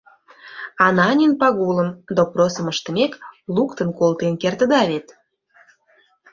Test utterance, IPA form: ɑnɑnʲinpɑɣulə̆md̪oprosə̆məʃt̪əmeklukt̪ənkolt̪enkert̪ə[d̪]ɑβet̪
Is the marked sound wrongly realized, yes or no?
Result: no